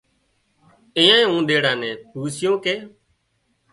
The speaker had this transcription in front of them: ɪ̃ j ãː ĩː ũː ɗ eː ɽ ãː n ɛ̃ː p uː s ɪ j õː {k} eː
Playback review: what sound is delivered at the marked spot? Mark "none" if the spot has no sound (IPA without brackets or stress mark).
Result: k